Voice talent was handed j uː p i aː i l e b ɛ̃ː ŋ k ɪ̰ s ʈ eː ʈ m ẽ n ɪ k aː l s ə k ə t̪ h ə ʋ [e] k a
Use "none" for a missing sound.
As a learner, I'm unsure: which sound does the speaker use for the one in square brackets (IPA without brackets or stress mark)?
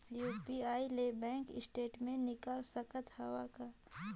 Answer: a